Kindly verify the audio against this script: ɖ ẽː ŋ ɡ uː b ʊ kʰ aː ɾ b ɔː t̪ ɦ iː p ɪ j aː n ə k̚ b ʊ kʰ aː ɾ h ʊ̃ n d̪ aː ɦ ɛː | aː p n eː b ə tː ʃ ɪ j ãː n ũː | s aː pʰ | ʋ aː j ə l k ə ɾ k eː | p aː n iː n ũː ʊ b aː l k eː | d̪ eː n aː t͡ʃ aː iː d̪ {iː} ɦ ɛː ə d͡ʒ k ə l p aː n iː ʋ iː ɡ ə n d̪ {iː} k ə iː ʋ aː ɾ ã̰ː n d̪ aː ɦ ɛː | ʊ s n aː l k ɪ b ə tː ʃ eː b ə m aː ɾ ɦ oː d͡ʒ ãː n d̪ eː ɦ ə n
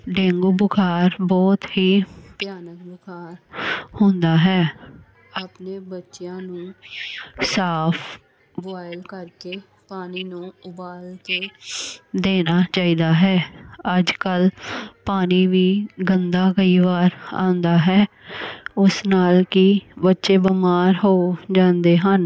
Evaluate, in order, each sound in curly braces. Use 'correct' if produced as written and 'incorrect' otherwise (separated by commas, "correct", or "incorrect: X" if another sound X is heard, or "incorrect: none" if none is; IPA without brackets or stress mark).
incorrect: aː, incorrect: aː